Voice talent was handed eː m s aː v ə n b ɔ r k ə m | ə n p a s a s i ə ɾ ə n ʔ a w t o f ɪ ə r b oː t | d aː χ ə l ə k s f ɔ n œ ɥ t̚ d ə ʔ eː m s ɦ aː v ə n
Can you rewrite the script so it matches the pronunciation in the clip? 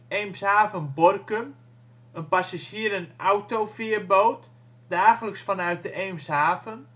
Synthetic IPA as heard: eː m s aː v ə n b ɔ r k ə m | ə n p a s a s i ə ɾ ə n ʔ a w t o f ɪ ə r b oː t | d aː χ ə l ə k s f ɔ n œ ɥ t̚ d ə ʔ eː m s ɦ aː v ə n